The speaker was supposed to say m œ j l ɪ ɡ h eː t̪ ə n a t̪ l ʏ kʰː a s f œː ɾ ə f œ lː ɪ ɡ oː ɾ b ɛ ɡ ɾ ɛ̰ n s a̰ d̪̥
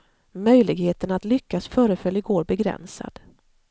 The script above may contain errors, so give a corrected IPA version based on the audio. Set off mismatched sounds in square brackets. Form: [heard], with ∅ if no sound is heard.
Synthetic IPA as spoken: m œ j l ɪ ɡ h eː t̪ ə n a t̪ l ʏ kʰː a s f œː ɾ ə f œ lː ɪ ɡ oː ɾ b ɛ ɡ ɾ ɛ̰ n s a̰ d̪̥